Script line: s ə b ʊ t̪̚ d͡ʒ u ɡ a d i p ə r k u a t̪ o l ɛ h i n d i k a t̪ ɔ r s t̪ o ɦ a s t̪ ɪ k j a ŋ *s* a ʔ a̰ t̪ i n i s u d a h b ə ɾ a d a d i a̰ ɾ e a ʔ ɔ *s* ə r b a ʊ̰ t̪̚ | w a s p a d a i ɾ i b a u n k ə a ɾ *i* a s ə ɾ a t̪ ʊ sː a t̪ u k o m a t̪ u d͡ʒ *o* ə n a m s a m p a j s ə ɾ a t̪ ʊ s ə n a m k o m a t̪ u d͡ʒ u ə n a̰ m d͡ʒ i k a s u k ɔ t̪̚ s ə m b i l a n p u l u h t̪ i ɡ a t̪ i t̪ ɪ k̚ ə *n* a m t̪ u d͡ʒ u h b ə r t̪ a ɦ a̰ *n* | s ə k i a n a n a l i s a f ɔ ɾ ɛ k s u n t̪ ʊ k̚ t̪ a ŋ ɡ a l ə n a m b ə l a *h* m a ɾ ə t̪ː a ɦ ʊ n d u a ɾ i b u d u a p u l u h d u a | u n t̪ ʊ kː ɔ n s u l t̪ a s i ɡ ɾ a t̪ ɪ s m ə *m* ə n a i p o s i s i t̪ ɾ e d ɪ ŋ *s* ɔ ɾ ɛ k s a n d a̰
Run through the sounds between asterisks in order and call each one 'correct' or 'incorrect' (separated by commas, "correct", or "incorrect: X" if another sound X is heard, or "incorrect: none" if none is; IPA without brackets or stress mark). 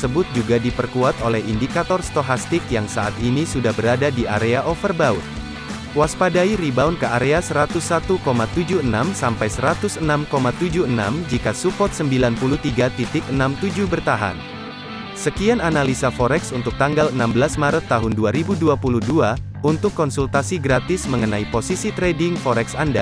correct, incorrect: f, incorrect: e, incorrect: u, correct, correct, incorrect: s, incorrect: ŋ, incorrect: f